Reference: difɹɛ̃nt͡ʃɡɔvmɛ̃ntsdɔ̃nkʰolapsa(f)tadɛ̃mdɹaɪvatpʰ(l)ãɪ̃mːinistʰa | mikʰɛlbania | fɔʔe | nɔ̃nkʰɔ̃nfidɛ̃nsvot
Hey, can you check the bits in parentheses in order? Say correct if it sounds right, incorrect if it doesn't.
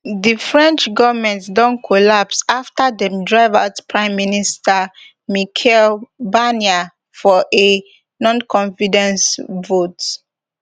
correct, incorrect

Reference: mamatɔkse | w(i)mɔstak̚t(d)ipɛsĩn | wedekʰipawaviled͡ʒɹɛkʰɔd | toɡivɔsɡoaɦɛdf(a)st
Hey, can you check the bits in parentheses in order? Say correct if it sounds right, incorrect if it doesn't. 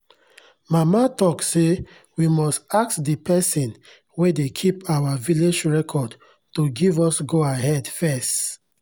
correct, correct, incorrect

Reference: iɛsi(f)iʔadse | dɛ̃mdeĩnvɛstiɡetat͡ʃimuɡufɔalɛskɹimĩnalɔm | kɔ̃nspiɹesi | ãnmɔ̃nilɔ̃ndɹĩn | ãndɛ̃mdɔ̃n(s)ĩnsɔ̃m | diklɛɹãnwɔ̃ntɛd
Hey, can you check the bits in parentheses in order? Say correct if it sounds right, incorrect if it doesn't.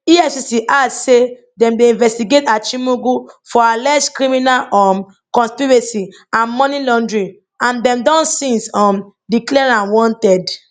incorrect, correct

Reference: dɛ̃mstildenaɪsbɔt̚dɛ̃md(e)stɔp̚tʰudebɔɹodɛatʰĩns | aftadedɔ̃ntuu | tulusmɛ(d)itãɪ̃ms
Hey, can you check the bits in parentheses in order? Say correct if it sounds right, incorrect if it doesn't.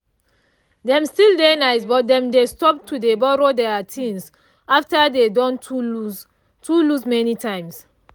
correct, incorrect

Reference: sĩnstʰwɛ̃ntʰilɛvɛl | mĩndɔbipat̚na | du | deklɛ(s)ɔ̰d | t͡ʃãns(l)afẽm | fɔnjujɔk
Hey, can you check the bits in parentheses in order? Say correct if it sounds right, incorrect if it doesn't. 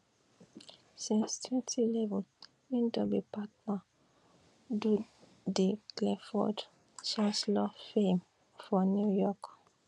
incorrect, correct

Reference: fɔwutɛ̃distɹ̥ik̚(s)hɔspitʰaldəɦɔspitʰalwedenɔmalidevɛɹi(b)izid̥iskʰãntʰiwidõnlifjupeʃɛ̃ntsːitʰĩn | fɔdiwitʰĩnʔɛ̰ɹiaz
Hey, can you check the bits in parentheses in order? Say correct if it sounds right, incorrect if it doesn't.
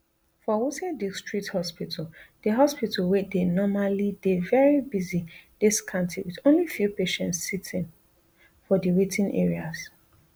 incorrect, correct

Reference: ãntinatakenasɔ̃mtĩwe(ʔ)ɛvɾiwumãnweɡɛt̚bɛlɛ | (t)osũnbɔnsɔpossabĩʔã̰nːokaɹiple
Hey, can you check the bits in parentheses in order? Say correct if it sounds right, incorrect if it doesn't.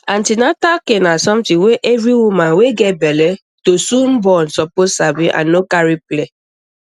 correct, correct

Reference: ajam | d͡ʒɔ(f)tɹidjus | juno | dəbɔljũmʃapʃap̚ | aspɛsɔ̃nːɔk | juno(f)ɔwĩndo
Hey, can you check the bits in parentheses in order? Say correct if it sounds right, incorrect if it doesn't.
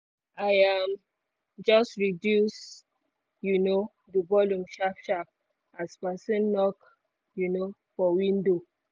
incorrect, correct

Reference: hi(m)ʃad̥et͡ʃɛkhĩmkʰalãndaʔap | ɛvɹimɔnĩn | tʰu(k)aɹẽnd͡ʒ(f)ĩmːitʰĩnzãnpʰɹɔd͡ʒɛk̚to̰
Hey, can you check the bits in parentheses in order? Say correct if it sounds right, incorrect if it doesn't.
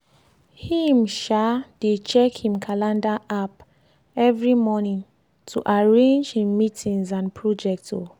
correct, incorrect, incorrect

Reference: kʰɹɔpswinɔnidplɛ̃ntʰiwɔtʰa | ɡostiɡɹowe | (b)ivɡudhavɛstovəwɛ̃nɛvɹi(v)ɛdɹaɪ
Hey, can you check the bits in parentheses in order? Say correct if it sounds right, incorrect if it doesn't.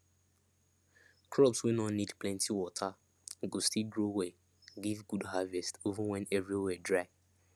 incorrect, incorrect

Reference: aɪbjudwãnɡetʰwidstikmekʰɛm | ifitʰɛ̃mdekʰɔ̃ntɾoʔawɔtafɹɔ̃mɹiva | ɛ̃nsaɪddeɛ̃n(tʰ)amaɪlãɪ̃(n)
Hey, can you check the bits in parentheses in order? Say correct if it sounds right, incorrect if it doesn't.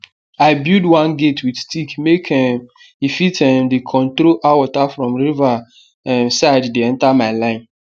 incorrect, correct

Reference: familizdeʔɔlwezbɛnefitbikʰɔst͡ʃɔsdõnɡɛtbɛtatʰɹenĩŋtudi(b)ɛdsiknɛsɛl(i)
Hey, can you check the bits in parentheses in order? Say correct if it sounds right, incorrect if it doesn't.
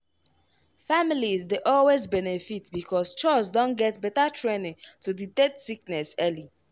incorrect, correct

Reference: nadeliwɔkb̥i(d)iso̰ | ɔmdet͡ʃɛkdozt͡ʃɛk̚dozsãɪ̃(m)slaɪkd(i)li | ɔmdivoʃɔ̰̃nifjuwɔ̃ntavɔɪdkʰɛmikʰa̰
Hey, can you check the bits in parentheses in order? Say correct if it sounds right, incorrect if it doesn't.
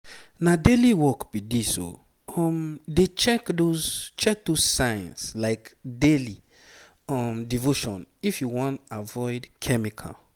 correct, incorrect, incorrect

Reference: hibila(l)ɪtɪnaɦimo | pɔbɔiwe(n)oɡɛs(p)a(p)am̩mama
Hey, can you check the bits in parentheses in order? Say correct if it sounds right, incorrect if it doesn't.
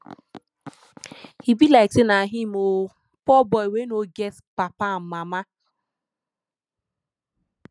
incorrect, correct, correct, correct

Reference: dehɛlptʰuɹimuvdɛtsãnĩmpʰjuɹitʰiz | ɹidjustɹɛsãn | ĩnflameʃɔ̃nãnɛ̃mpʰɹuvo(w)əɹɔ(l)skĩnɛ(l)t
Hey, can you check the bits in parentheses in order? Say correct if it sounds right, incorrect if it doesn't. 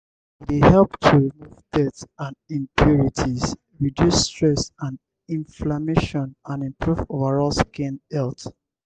incorrect, correct, correct

